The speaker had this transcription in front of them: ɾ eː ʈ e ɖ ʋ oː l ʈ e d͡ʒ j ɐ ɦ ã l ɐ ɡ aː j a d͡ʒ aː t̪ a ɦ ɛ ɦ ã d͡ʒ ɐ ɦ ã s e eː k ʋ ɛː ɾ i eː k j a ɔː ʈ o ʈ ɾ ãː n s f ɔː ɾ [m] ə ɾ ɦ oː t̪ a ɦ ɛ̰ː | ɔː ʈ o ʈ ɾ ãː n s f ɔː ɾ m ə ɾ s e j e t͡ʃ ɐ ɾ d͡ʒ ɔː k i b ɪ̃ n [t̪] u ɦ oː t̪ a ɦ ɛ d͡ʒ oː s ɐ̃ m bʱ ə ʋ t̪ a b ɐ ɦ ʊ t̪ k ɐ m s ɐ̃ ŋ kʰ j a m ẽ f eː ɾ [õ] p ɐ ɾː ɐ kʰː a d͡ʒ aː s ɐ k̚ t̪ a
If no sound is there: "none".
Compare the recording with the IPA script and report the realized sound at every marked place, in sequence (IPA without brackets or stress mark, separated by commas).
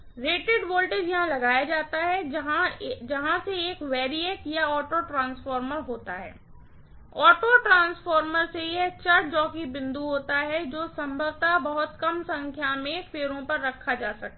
m, d̪, õ